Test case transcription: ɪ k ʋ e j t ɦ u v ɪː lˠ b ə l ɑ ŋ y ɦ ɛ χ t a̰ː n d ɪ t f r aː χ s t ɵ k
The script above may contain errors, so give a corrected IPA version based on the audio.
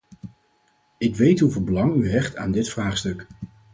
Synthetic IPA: ɪ k ʋ e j t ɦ u v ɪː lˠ b ə l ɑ ŋ y ɦ ɛ χ t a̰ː n d ɪ t f r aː χ s t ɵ k